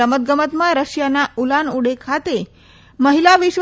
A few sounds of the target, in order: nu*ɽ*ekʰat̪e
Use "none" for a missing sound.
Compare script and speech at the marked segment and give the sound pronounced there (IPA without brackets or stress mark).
ɽ